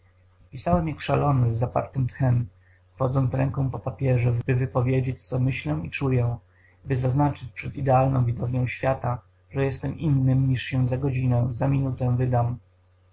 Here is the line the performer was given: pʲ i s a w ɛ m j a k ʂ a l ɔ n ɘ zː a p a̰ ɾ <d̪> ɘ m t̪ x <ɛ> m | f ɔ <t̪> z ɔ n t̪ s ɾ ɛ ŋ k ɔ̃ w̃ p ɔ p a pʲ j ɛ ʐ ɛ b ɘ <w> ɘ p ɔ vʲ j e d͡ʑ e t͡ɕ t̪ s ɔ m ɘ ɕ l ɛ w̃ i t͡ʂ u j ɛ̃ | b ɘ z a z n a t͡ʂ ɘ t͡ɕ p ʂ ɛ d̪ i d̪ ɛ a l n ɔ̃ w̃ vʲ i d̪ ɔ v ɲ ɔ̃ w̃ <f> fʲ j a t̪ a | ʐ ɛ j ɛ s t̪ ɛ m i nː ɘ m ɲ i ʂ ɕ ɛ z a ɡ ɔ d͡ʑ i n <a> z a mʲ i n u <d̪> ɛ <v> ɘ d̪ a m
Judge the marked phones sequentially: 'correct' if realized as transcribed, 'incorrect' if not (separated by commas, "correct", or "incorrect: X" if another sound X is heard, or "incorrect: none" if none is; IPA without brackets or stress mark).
incorrect: t̪, correct, incorrect: d̪, incorrect: v, incorrect: ɕ, incorrect: ɛ, incorrect: t̪, correct